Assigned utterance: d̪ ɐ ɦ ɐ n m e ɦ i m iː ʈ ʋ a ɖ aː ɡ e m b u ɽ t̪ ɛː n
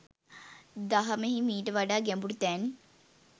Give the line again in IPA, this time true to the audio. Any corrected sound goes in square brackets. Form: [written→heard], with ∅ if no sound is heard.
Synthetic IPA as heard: d̪ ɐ ɦ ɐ [n→∅] m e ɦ i m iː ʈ ʋ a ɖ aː ɡ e m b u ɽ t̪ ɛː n